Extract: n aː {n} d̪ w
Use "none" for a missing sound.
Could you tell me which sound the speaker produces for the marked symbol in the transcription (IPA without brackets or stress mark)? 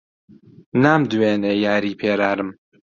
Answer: m